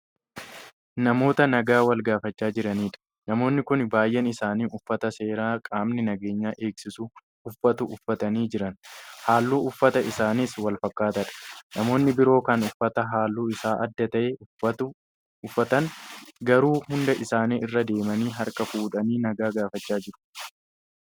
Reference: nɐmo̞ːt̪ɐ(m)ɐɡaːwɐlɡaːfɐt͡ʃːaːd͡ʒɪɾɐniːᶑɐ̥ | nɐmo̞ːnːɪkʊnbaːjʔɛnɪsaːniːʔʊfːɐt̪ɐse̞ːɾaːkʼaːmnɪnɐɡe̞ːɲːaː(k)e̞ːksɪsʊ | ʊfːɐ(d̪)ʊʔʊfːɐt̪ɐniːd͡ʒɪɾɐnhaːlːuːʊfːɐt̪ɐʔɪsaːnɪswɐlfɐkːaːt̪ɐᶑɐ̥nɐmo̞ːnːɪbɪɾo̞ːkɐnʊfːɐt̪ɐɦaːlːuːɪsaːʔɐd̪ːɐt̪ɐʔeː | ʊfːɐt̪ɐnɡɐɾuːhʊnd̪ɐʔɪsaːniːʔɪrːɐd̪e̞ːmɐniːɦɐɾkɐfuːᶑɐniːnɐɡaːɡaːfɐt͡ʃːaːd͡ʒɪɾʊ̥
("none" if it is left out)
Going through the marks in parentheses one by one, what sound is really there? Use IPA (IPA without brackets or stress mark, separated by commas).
n, ʔ, t̪